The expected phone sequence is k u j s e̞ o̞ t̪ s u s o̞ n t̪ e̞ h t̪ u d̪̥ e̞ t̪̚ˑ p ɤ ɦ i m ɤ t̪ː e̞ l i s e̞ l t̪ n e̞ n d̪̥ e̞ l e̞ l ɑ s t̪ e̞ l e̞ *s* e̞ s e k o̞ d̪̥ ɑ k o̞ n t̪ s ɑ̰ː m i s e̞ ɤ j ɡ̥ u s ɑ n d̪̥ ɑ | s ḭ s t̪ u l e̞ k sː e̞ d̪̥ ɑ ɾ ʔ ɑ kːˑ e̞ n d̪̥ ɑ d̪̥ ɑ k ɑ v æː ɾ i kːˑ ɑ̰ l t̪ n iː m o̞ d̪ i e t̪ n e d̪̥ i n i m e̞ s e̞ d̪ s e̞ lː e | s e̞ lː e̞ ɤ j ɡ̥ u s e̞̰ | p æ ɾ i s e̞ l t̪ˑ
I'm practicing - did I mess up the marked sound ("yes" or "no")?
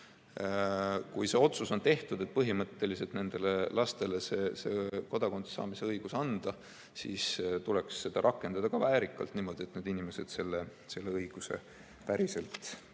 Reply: no